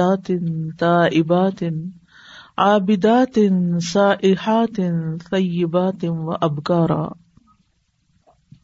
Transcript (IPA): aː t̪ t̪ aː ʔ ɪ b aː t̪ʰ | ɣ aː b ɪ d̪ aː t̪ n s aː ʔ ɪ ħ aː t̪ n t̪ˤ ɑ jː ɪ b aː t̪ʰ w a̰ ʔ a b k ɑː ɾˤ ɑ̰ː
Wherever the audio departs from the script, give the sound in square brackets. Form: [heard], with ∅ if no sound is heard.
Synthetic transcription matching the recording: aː t̪ t̪ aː ʔ ɪ b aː [t̪] | [ʕ] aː b ɪ d̪ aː t̪ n s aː ʔ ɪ ħ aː t̪ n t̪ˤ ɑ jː ɪ b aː [t̪] w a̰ ʔ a b k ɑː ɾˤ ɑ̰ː